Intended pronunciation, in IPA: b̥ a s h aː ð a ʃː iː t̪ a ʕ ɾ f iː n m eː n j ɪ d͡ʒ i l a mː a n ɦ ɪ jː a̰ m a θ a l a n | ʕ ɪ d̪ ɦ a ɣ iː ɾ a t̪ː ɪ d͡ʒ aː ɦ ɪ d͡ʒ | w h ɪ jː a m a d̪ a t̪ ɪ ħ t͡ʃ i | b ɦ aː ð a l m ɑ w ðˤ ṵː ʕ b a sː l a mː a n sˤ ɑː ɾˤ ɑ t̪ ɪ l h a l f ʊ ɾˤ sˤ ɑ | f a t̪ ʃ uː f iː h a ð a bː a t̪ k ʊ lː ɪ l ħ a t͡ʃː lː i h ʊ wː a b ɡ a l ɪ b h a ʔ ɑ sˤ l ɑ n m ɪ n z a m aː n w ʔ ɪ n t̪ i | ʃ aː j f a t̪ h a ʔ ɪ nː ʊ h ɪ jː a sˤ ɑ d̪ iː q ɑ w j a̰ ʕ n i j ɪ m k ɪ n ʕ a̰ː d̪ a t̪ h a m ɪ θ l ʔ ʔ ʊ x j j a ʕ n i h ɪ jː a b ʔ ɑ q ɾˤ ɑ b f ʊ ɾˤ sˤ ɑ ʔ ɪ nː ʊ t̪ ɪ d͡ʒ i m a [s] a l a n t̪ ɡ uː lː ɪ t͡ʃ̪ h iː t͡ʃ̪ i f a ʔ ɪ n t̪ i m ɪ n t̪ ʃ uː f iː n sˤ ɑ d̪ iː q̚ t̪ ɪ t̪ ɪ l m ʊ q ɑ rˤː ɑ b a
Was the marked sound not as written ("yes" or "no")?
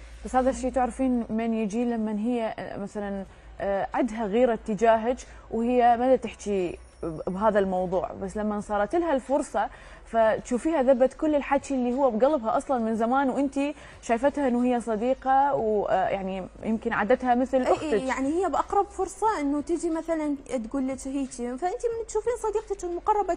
yes